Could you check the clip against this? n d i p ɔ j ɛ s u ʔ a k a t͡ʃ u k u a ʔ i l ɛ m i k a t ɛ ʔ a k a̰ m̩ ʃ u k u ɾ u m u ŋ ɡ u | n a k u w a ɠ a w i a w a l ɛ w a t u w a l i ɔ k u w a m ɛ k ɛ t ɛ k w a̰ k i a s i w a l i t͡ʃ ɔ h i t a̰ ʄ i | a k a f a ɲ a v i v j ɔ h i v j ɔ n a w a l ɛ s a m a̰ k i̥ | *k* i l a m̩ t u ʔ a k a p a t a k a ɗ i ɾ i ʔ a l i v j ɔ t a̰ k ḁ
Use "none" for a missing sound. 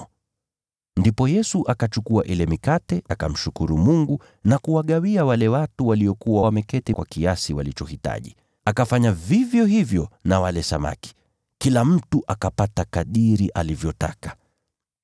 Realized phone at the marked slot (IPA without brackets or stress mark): k